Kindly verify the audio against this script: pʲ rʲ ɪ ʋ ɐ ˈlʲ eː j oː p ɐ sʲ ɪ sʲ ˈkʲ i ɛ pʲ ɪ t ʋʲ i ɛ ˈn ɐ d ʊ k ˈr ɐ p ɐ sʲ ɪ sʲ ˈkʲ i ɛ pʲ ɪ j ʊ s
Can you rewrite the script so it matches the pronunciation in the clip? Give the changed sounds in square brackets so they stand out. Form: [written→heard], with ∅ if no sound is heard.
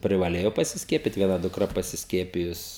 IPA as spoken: pʲ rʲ ɪ ʋ ɐ ˈlʲ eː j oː p ɐ sʲ ɪ sʲ ˈkʲ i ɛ pʲ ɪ t ʋʲ i ɛ ˈn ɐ d ʊ k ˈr ɐ p ɐ sʲ ɪ sʲ ˈkʲ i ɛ pʲ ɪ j ʊ s